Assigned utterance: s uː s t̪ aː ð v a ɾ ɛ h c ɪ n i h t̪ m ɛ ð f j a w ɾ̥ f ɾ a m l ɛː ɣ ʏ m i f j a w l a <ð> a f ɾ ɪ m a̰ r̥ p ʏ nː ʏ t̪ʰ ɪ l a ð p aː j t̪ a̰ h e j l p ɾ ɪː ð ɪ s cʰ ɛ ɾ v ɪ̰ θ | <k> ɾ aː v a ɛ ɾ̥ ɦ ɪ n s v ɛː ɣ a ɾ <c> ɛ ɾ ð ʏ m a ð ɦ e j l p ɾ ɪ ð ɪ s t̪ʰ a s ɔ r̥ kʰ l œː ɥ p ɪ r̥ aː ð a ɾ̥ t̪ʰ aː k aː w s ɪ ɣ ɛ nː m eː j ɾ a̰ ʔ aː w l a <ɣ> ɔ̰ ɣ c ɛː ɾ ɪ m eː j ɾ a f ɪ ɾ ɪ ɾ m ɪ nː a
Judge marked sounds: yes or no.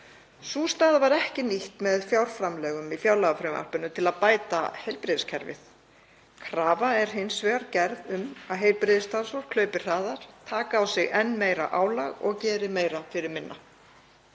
no, no, yes, yes

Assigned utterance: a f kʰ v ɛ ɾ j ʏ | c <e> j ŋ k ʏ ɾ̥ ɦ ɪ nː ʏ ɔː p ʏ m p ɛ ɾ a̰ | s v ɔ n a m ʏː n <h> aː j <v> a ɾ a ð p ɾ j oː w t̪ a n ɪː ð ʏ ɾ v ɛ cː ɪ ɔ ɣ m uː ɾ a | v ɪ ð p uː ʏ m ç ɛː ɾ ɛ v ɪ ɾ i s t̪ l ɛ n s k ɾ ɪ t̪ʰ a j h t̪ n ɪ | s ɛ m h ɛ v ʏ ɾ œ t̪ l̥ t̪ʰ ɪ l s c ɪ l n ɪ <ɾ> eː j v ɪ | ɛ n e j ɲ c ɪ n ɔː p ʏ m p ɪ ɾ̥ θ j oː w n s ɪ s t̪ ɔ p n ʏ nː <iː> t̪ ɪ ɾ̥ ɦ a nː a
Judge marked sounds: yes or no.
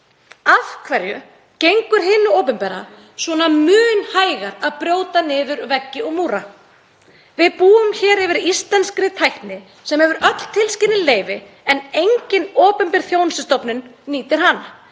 yes, yes, no, no, yes

